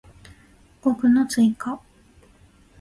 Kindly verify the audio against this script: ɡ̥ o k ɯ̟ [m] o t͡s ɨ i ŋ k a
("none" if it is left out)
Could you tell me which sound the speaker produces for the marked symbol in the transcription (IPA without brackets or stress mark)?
n